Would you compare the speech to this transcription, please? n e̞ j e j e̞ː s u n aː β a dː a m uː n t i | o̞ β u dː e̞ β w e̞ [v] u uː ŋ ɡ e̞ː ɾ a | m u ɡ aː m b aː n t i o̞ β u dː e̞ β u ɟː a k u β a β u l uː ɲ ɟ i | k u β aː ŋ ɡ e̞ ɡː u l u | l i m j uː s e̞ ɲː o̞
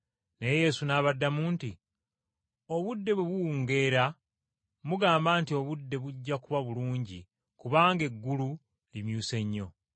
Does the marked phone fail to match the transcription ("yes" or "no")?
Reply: yes